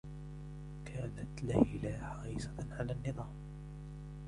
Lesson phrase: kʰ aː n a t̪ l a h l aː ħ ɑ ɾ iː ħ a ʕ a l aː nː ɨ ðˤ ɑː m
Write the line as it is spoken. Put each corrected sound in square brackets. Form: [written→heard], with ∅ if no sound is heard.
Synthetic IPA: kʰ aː n a t̪ l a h l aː ħ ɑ ɾ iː [ħ→s] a ʕ a l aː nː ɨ ðˤ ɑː m